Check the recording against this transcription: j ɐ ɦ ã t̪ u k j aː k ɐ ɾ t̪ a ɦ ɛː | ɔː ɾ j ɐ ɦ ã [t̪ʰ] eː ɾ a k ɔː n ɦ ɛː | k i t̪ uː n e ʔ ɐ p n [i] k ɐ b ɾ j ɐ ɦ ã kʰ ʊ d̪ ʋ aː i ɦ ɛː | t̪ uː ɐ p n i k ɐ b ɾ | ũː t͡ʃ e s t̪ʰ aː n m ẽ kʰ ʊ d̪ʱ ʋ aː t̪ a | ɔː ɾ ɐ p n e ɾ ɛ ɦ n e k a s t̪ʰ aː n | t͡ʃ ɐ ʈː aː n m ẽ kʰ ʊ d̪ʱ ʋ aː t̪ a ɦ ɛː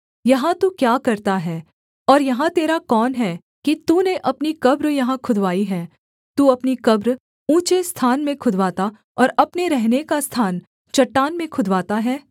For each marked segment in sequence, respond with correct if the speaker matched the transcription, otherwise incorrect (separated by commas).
incorrect, correct